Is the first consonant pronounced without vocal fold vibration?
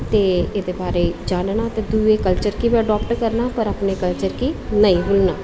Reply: yes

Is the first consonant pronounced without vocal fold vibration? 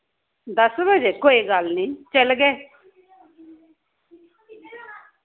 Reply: no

